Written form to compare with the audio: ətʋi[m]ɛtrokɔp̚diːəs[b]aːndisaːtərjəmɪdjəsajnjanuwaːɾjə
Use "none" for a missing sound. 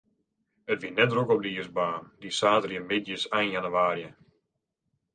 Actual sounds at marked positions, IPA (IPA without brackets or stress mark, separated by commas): n, b